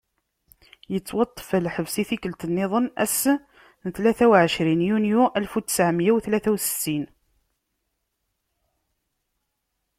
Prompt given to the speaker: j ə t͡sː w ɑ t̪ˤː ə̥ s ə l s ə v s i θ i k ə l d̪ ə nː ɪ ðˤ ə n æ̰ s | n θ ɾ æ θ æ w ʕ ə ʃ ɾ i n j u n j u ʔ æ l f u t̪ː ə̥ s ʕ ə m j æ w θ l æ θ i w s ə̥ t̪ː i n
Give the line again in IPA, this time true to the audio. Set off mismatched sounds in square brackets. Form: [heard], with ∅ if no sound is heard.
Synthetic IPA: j ə t͡sː w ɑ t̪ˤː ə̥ [f] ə l [ħ] ə v s i θ i k ə l [t̪] ə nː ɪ ðˤ ə n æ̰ s | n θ [l] æ θ æ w ʕ ə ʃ ɾ i n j u n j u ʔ æ l f u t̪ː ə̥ s ʕ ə m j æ w θ l æ θ [æ] w s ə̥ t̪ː i n